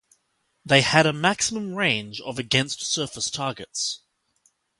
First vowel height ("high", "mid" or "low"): mid